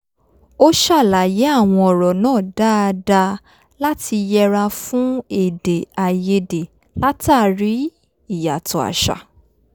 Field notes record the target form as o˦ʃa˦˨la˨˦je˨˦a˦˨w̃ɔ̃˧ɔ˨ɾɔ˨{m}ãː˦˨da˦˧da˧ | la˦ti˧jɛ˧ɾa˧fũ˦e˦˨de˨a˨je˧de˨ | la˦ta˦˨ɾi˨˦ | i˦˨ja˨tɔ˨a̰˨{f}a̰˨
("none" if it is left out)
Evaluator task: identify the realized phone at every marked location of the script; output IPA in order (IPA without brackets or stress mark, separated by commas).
n, ʃ